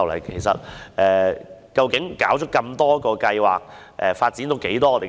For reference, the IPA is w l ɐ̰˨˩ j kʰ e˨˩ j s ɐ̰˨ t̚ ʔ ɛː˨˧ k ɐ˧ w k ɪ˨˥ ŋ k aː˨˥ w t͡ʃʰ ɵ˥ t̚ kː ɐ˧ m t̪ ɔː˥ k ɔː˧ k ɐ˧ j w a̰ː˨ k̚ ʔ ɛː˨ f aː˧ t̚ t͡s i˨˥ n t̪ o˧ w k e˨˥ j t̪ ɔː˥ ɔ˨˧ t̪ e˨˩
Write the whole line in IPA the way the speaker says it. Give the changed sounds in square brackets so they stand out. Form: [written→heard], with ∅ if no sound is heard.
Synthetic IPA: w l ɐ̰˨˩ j kʰ e˨˩ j s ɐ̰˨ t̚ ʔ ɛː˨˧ k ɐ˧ w k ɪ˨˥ ŋ k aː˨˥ w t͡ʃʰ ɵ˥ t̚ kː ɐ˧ m t̪ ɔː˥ k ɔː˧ k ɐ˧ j w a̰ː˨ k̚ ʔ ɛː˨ f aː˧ t̚ t͡s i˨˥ n t̪ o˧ w k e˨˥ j t̪ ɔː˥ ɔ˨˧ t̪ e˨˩